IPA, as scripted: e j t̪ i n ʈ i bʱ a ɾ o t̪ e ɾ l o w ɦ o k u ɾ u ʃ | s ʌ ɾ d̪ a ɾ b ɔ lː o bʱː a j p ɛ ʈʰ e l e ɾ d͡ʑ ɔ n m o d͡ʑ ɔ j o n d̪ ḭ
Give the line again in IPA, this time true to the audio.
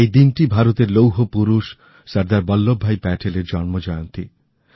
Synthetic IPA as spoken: e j d̪ i n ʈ i bʱ a ɾ o t̪ e ɾ l o w ɦ o p u ɾ u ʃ | s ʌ ɾ d̪ a ɾ b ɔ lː o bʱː a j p ɛ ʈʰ e l e ɾ d͡ʑ ɔ n m o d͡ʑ ɔ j o n t̪ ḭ

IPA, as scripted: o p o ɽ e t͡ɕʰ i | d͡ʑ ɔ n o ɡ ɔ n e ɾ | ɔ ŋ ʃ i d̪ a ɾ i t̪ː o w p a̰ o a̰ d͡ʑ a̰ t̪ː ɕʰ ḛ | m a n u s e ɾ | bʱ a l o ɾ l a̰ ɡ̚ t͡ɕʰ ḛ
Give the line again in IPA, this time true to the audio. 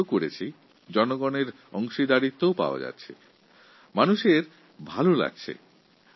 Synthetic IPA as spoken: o k o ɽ e t͡ɕʰ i | d͡ʑ ɔ n o ɡ ɔ n e ɾ | ɔ ŋ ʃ i d̪ a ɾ i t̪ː o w p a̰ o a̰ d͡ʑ a̰ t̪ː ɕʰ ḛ | m a n u ʃ e ɾ | bʱ a l o l a̰ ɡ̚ t͡ɕʰ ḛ

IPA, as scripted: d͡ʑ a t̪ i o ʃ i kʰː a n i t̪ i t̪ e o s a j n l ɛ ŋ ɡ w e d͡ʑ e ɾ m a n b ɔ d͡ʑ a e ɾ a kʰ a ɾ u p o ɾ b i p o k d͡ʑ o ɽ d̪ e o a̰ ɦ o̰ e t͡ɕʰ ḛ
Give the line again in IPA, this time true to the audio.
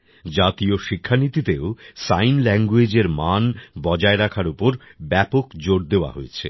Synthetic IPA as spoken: d͡ʑ a t̪ i o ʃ i kʰː a n i t̪ i t̪ e o s a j n l ɛ ŋ ɡ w e d͡ʑ e ɾ m a n b ɔ d͡ʑ a e ɾ a kʰ a ɾ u p o ɾ b ɛ p o k d͡ʑ o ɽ d̪ e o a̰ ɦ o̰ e t͡ɕʰ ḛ

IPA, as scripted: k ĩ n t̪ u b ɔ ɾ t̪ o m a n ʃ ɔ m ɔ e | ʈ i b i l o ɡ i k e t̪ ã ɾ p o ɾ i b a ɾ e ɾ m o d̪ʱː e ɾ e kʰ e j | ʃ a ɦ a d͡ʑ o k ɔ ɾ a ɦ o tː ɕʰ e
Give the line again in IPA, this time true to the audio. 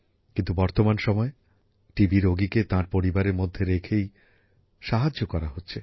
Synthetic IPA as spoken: k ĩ n t̪ u b ɔ ɾ t̪ o m a n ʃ ɔ m ɔ e | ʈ i b i ɾ o ɡ i k e t̪ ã ɾ p o ɾ i b a ɾ e ɾ m o d̪ʱː e ɾ e kʰ e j | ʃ a ɦ a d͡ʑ o k ɔ ɾ a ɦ o tː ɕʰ e

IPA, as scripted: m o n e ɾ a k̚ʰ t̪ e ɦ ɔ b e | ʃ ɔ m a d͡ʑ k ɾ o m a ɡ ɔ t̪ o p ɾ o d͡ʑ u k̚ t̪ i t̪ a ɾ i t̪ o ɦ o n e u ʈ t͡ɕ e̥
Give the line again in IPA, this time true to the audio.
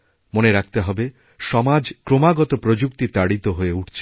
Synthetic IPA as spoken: m o n e ɾ a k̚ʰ t̪ e ɦ ɔ b e | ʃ ɔ m a d͡ʑ k ɾ o m a ɡ ɔ t̪ o p ɾ o d͡ʑ u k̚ t̪ i t̪ a ɽ i t̪ o ɦ o e u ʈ t͡ɕʰ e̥

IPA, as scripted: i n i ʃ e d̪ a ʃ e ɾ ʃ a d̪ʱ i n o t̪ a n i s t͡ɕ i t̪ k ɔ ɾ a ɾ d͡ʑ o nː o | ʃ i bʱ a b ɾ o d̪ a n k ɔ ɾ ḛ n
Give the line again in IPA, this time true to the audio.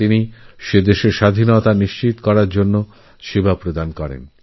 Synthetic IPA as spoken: i n i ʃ e d̪ e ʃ e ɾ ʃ a d̪ʱ i n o t̪ a n i ʃ t͡ɕ i t̪ k ɔ ɾ a ɾ d͡ʑ o nː o | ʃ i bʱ a p ɾ o d̪ a n k ɔ ɾ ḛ n

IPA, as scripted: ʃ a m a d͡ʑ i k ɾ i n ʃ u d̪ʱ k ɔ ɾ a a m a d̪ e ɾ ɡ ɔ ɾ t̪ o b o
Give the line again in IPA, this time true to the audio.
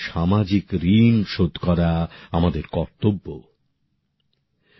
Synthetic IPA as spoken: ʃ a m a d͡ʑ i k ɾ i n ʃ o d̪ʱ k ɔ ɾ a a m a d̪ e ɾ k ɔ ɾ t̪ o bː o

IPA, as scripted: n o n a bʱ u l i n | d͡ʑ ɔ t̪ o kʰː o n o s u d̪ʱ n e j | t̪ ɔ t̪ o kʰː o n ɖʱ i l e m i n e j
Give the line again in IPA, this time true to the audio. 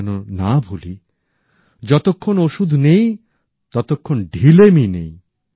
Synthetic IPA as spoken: n o n a bʱ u l i | d͡ʑ ɔ t̪ o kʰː o n o ʃ u d̪ʱ n e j | t̪ ɔ t̪ o kʰː o n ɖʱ i l e m i n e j

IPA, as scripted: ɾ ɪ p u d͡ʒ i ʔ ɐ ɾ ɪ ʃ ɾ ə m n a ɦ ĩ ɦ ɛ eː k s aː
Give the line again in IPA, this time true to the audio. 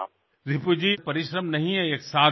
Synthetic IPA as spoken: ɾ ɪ p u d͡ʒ i p ɐ ɾ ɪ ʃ ɾ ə m n ɐ ɦ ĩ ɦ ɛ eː k s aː

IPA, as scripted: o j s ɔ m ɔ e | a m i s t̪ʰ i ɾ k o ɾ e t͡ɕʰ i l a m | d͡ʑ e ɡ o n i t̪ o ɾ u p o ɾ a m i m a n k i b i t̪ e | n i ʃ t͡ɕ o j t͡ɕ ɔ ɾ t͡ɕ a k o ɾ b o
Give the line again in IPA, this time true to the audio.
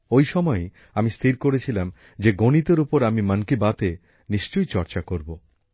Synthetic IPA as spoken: o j ʃ ɔ m ɔ e | a m i s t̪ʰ i ɾ k o ɾ e t͡ɕʰ i l a m | d͡ʑ e ɡ o n i t̪ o ɾ u p o ɾ a m i m a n k i b a t̪ e | n i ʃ t͡ɕ o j t͡ɕ ɔ ɾ t͡ɕ a k o ɾ b o

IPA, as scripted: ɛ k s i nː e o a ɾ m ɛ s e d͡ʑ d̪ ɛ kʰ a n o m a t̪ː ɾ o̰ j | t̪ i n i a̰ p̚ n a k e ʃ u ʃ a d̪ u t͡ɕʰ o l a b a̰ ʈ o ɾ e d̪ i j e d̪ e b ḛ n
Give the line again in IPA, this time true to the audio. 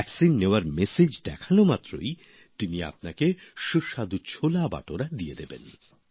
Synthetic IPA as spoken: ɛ k s i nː e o a ɾ m e s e d͡ʑ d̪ ɛ kʰ a n o m a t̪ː ɾ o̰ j | t̪ i n i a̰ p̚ n a k e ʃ u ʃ a d̪ u t͡ɕʰ o l a b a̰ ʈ o ɾ a d̪ i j e d̪ e b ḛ n

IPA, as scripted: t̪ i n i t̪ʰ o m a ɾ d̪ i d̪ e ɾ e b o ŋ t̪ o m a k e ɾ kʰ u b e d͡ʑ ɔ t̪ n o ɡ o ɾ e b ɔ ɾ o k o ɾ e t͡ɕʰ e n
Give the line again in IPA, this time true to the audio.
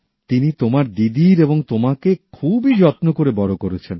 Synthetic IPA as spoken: t̪ i n i t̪ o m a ɾ d̪ i d̪ i ɾ e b o ŋ t̪ o m a k e kʰ u b i d͡ʑ ɔ t̪ n o k o ɾ e b ɔ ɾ o k o ɾ e t͡ɕʰ e n

